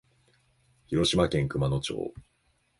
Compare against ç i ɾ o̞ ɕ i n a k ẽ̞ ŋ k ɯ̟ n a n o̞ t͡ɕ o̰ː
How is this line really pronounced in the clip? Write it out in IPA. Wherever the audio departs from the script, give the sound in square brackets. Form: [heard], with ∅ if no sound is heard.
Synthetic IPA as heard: ç i ɾ o̞ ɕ i [m] a k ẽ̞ ŋ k ɯ̟ [m] a n o̞ t͡ɕ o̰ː